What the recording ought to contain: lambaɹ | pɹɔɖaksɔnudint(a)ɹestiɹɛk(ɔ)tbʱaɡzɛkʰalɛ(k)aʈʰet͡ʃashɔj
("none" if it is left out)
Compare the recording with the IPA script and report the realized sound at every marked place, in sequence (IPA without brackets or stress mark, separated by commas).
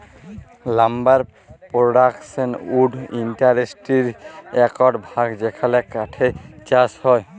a, ɔ, k